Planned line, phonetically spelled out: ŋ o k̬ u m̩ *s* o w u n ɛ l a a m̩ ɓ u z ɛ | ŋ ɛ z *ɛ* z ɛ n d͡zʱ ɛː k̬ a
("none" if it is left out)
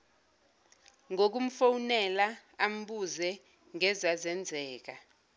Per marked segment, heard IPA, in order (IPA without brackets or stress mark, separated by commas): f, a